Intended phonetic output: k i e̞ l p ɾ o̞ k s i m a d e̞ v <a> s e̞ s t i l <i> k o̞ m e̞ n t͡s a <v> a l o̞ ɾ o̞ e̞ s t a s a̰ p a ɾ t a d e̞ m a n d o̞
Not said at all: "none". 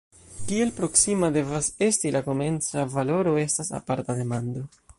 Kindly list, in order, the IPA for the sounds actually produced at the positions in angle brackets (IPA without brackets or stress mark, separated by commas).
a, a, v